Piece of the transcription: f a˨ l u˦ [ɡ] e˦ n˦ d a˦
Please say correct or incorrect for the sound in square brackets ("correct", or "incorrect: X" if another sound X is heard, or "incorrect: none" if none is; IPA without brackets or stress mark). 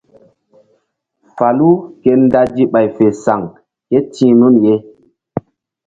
incorrect: k